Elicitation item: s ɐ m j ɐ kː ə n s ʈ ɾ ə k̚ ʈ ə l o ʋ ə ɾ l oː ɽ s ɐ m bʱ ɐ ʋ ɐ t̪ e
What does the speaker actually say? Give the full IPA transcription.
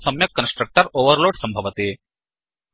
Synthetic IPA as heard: s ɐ m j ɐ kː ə n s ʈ ɾ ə k̚ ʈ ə ɾ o ʋ ə ɾ l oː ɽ s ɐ m bʱ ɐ ʋ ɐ t̪ e